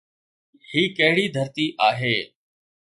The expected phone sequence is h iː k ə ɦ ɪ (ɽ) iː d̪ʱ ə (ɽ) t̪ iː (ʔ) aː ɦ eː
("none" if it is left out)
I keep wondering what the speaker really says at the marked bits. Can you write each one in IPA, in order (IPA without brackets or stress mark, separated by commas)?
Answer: ɽ, ɾ, ʔ